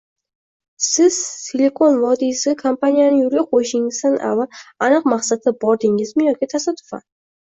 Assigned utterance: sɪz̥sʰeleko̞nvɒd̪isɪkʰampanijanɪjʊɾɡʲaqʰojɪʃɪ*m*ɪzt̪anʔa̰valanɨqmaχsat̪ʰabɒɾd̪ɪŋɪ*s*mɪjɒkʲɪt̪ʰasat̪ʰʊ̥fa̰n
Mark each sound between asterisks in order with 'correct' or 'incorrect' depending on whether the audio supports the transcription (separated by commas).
incorrect, incorrect